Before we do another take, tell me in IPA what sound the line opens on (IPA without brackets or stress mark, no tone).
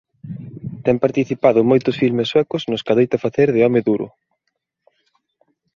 t̪